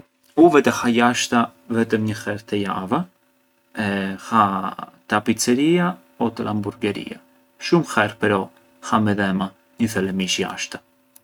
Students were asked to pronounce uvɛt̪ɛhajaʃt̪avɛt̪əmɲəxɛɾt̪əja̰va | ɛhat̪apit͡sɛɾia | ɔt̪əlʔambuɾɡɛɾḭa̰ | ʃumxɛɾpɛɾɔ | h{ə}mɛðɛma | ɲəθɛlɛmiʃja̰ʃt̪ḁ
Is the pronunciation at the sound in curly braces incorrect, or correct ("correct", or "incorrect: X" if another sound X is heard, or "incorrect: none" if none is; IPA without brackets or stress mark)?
incorrect: a